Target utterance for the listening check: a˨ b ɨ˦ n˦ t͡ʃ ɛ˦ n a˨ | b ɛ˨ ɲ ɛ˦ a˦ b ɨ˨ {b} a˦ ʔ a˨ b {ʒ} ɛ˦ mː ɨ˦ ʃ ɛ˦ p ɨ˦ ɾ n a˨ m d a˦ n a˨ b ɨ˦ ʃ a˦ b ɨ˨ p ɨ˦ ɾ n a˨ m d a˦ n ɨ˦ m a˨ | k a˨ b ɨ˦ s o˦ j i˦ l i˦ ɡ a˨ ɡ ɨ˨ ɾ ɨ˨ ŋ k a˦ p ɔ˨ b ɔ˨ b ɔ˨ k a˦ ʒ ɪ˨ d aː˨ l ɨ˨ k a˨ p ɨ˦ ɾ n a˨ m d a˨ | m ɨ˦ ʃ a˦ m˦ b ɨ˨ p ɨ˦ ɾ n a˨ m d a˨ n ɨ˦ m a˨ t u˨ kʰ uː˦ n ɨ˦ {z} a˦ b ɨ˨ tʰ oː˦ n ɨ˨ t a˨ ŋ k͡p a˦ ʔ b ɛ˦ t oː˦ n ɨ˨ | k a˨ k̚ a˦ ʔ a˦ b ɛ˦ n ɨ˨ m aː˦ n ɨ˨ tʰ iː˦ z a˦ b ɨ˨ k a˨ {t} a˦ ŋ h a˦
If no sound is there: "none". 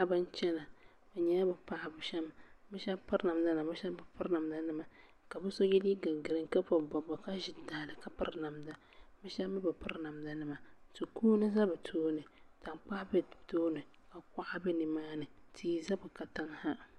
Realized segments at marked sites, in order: p, ʃ, z, t

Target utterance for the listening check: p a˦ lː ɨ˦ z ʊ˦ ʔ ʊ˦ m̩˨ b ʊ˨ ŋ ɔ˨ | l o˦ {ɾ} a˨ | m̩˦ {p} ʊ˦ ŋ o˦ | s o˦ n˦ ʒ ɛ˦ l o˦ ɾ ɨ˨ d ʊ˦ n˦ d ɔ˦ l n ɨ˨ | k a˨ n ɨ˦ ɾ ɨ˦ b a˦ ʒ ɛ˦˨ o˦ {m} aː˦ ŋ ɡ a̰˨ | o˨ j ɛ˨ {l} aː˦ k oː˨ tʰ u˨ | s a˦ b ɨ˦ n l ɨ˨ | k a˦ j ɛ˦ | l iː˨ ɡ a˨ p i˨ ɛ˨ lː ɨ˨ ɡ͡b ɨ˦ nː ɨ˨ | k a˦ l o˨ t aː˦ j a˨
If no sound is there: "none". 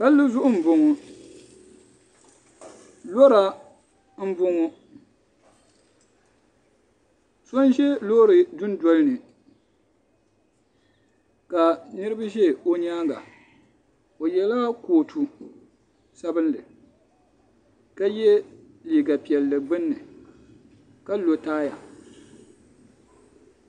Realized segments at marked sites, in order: ɾ, b, ɲ, l

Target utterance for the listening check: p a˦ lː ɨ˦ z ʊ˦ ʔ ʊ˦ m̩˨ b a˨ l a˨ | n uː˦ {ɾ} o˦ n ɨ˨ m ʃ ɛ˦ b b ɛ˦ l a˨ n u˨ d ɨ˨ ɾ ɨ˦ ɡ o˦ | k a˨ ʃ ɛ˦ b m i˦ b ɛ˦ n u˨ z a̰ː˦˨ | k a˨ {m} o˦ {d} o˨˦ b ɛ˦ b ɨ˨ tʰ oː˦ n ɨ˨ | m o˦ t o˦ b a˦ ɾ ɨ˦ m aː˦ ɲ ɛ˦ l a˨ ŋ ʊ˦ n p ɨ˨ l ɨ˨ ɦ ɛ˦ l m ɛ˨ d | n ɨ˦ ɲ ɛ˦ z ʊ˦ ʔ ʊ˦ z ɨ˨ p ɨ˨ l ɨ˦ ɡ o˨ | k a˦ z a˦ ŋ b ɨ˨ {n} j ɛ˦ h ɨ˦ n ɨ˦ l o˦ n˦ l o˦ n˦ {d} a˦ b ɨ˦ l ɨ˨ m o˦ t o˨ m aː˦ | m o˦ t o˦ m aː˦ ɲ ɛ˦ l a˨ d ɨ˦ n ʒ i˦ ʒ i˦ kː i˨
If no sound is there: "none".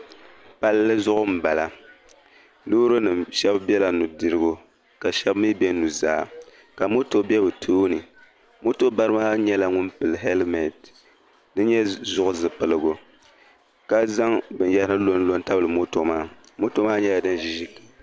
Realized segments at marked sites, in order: ɾ, m, t, n, t

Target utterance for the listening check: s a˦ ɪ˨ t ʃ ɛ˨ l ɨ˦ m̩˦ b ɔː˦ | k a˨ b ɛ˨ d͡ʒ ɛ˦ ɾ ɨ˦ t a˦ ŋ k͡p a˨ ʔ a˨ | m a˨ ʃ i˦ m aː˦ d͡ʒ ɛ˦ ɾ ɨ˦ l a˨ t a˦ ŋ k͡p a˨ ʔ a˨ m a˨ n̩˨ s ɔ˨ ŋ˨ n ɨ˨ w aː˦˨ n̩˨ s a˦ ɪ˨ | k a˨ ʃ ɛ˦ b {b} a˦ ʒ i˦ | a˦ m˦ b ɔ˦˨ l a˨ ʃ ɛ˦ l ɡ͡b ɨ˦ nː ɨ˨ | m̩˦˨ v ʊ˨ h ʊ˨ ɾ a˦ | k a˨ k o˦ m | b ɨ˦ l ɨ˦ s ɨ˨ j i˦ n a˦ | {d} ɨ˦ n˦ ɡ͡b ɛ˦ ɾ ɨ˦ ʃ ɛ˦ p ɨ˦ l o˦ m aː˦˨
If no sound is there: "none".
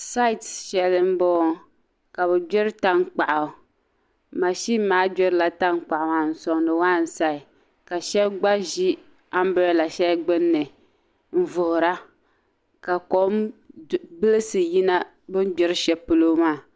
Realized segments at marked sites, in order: ɡ͡b, b

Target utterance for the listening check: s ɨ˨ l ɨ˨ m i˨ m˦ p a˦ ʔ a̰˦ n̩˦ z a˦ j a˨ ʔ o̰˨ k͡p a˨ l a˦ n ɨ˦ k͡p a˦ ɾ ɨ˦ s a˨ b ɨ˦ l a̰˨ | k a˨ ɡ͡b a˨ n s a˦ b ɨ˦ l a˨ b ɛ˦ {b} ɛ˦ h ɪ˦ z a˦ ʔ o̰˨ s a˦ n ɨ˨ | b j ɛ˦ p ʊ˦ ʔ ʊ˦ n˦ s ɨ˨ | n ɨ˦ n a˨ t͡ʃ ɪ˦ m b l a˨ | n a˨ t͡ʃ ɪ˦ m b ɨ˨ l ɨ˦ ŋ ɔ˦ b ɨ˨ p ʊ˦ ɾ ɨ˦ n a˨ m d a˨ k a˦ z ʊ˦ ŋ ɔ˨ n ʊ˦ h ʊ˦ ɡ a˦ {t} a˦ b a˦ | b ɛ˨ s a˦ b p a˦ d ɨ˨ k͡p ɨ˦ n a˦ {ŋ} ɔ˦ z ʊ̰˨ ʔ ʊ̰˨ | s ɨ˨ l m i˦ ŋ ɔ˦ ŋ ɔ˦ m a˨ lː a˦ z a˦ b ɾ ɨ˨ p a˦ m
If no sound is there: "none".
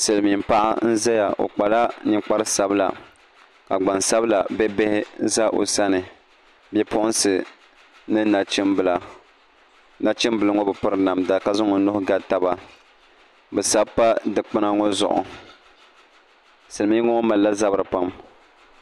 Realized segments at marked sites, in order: b, t, ŋ

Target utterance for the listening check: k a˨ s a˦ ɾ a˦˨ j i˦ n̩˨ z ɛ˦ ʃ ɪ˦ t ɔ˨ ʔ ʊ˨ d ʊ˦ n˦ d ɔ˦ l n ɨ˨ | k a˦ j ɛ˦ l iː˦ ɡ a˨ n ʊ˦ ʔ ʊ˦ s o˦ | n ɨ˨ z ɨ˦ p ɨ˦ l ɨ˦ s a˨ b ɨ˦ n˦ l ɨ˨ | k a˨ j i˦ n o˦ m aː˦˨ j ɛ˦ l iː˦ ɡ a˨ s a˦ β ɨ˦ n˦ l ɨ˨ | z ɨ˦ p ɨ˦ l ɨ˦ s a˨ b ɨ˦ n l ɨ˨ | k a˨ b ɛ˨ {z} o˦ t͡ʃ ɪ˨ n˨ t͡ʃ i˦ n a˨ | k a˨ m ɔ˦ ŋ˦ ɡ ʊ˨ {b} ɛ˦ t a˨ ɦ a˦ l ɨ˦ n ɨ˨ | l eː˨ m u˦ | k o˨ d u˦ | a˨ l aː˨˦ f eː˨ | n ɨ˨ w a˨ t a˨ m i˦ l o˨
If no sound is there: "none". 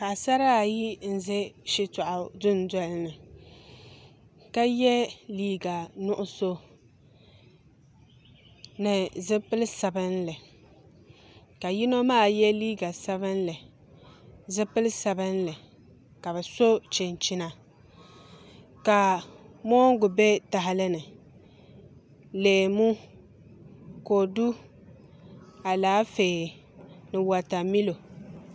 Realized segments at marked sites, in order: s, b

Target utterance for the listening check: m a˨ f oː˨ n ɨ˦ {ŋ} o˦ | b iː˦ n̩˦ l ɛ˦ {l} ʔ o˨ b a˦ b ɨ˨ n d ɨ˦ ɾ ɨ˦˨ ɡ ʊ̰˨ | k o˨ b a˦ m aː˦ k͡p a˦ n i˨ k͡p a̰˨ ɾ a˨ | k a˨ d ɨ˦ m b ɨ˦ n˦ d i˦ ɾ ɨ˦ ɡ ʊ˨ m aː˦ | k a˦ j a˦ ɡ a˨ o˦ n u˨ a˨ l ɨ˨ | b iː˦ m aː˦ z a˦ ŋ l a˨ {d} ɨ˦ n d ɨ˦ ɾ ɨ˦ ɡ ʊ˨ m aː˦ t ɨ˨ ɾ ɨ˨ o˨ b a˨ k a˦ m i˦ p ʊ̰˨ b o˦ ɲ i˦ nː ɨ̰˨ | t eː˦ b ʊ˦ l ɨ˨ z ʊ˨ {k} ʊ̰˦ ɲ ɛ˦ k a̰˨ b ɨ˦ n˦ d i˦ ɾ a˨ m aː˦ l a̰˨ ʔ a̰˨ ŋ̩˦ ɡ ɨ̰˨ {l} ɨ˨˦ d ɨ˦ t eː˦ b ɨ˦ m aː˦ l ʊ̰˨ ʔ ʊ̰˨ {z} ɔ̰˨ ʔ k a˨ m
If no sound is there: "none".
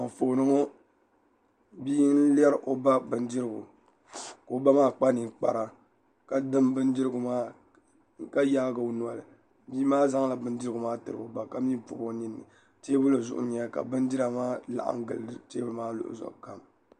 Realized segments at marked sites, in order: ŋ, ɾ, b, ʔ, l, z

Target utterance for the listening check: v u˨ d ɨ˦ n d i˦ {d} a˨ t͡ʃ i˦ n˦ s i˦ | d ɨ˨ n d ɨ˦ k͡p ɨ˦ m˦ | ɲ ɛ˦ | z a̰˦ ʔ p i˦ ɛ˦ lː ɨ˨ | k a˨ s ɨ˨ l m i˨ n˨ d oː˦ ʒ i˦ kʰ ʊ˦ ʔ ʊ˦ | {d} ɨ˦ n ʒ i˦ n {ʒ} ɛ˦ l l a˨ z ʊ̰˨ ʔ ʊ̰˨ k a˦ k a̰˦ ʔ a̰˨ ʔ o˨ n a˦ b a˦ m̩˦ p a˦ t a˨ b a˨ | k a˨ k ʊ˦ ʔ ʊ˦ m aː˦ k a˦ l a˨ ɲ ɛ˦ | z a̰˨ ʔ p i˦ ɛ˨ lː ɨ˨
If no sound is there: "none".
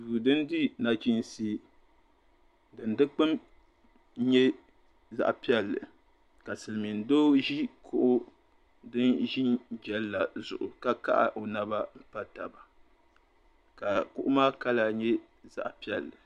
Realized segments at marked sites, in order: n, d, d͡ʒ

